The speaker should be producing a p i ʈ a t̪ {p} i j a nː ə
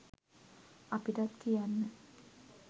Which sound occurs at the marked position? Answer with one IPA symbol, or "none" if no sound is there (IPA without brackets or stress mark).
k